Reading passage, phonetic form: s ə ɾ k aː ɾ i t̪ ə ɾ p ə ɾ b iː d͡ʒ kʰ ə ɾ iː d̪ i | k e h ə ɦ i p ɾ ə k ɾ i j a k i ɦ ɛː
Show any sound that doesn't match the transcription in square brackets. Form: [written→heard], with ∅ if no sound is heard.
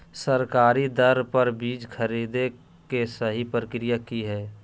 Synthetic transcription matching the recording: s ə ɾ k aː ɾ i [t̪→d̪] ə ɾ p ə ɾ b iː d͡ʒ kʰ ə ɾ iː d̪ [i→e] | k e [h→s] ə ɦ i p ɾ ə k ɾ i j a k i ɦ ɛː

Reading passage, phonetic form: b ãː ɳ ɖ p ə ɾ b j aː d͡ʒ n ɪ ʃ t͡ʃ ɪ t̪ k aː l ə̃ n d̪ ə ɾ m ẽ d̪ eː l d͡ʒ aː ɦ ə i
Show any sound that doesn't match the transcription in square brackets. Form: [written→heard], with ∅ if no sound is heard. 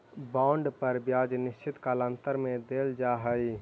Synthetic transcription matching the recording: b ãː ɳ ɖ p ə ɾ b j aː d͡ʒ n ɪ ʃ t͡ʃ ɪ t̪ k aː l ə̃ n [d̪→t̪] ə ɾ m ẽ d̪ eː l d͡ʒ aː ɦ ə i

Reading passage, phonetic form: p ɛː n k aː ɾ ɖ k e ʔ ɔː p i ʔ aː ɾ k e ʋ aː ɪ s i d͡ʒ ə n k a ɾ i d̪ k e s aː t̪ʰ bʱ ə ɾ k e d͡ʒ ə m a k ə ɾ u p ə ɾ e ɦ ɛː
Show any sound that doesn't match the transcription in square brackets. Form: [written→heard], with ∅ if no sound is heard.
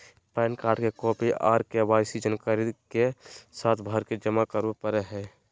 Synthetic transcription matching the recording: p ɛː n k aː ɾ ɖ k e [ʔ→k] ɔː p i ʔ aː ɾ k e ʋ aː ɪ s i d͡ʒ ə n k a ɾ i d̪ k e s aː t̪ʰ bʱ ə ɾ k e d͡ʒ ə m a k ə ɾ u p ə ɾ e ɦ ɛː

